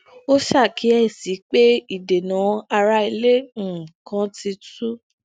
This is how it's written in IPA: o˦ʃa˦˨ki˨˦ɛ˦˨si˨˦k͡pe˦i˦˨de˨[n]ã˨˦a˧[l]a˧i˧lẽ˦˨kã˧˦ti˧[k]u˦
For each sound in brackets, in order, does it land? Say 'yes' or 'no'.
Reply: yes, no, no

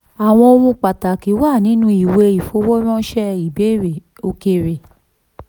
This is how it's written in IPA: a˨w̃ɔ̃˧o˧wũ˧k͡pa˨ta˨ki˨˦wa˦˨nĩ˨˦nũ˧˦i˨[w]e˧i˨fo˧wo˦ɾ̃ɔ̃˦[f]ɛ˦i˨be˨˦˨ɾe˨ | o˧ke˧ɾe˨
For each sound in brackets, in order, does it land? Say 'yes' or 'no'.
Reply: yes, no

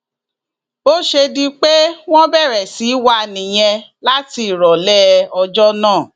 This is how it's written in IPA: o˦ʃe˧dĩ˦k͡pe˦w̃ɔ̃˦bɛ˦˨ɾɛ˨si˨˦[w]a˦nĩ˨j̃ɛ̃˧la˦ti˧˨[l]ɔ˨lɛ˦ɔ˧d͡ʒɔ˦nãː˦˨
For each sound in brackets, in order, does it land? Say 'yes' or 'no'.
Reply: yes, no

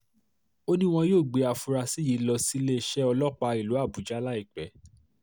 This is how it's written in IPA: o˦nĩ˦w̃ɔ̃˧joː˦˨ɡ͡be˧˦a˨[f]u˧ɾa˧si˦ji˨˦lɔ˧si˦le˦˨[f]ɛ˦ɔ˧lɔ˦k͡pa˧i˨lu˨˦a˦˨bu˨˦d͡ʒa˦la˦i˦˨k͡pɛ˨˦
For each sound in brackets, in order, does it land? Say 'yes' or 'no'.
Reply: yes, no

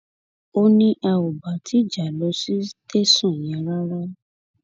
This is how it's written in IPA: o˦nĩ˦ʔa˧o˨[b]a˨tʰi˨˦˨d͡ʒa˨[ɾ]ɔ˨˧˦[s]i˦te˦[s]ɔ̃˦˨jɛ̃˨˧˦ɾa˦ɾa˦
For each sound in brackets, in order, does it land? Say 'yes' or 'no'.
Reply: yes, no, yes, yes

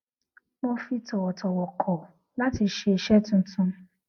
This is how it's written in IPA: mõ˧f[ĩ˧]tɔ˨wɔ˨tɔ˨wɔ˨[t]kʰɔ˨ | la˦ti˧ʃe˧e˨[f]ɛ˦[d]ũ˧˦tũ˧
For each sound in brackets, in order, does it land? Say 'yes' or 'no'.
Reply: no, no, no, no

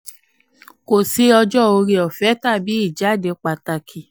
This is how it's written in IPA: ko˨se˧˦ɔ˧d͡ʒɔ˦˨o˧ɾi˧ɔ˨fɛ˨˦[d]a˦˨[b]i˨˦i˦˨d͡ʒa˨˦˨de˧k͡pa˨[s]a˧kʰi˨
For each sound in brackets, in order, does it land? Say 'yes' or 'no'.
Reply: no, yes, no

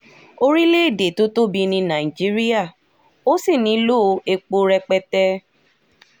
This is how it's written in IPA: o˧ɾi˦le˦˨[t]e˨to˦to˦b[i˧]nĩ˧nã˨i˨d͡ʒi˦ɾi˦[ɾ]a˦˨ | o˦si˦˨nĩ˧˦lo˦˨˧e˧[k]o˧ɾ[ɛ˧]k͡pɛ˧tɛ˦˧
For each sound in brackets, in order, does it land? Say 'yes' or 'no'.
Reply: no, yes, no, no, yes

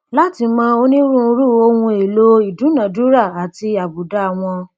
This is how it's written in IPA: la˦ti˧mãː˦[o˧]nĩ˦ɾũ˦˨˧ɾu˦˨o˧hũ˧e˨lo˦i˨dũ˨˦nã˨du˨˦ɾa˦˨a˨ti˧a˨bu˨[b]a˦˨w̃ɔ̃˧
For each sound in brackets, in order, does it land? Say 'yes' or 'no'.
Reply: yes, no

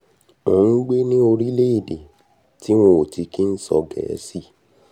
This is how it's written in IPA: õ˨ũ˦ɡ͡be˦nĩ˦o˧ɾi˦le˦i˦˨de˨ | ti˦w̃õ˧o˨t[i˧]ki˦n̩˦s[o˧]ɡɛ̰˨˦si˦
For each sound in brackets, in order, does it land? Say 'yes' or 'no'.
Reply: yes, no

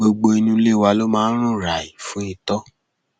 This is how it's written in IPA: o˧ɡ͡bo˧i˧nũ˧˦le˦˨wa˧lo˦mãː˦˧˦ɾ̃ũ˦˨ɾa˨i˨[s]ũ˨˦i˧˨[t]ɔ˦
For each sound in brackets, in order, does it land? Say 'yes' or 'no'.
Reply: no, yes

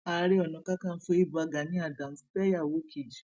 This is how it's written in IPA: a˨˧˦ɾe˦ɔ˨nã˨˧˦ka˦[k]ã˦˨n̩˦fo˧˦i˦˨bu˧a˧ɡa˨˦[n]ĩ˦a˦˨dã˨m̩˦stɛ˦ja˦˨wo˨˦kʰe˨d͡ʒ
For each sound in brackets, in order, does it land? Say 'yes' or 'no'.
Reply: yes, yes

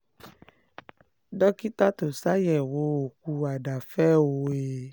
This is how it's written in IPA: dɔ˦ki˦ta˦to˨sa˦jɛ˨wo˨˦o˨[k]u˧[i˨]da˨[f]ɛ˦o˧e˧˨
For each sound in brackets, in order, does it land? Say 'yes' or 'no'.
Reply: yes, no, yes

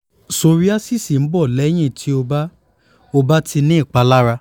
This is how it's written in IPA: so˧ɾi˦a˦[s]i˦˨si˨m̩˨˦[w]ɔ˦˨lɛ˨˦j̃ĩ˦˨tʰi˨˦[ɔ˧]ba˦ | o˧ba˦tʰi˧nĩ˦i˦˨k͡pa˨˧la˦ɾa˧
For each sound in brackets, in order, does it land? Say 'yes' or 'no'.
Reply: yes, no, no

